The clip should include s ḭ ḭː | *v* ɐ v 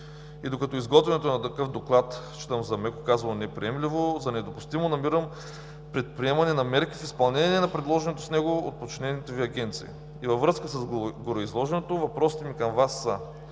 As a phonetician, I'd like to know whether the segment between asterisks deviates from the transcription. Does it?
no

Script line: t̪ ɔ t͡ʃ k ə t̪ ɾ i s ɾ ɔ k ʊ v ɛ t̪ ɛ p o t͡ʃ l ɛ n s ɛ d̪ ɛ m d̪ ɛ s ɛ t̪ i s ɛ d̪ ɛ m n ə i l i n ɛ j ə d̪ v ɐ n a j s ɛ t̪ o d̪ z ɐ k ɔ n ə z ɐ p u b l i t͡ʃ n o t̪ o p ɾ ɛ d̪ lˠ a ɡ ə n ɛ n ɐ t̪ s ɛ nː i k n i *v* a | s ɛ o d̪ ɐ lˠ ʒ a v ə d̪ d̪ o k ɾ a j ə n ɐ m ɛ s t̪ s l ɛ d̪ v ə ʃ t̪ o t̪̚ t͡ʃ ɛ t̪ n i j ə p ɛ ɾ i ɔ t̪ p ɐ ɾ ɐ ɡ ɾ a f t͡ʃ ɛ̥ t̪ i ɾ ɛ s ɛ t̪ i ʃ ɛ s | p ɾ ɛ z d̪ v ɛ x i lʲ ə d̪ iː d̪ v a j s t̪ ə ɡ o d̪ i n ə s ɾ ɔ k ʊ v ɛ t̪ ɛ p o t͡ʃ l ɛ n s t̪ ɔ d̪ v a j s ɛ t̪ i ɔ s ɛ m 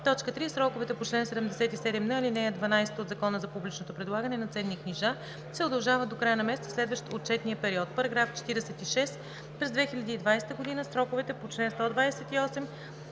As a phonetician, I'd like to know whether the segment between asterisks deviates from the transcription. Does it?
yes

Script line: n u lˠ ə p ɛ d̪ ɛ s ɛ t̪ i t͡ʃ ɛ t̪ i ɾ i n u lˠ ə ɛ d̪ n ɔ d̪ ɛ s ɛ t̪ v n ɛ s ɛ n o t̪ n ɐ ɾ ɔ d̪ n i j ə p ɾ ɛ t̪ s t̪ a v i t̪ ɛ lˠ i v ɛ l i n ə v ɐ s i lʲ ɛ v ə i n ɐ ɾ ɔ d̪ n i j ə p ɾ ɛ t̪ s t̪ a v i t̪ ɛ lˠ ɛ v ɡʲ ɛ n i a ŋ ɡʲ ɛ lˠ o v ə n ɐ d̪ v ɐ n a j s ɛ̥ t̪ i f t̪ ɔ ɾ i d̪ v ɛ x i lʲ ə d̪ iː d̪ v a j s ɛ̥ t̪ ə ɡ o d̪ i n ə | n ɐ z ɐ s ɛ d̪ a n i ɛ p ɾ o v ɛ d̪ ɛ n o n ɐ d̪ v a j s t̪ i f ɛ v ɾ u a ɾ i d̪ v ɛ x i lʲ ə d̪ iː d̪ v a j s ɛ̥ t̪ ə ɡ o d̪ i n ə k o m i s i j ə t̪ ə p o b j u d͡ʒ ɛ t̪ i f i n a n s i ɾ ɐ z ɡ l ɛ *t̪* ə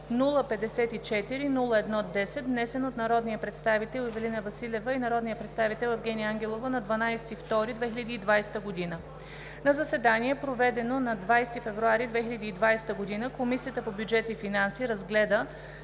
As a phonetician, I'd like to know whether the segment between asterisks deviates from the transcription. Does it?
yes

